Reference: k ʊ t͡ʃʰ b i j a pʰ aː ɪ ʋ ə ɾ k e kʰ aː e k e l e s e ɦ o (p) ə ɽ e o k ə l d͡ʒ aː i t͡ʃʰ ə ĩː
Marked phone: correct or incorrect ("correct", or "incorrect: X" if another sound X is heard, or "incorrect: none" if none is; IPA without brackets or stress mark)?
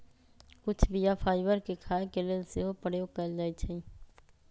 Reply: correct